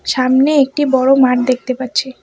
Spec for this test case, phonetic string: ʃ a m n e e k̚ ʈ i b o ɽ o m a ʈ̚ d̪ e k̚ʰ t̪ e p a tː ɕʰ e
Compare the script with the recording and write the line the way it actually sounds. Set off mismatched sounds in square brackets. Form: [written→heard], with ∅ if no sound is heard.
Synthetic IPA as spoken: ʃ a m n e e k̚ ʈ i b [o→ɔ] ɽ o m a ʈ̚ d̪ e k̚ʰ t̪ e p a tː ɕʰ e